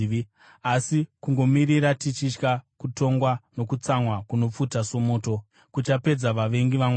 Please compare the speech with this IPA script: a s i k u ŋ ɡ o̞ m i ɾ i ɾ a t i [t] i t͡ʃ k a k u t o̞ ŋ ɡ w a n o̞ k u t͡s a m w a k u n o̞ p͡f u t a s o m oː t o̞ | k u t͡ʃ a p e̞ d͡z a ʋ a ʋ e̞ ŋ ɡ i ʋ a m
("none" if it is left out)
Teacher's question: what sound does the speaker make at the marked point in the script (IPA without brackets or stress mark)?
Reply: t͡ʃ